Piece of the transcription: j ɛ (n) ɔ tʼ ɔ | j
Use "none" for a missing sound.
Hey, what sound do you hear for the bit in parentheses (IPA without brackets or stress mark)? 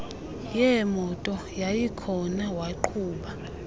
m